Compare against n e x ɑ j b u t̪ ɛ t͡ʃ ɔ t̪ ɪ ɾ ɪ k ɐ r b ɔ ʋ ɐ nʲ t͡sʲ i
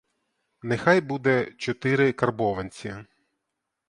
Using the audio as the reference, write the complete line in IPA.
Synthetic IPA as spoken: n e x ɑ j b u d̪ ɛ t͡ʃ ɔ t̪ ɪ ɾ ɪ k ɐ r b ɔ ʋ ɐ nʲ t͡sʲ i